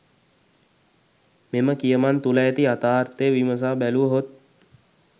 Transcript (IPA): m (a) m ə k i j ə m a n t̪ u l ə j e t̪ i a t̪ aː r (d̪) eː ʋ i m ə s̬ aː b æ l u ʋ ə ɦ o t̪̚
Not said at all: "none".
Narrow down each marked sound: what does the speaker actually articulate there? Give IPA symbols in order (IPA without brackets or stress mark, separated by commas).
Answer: e, t̪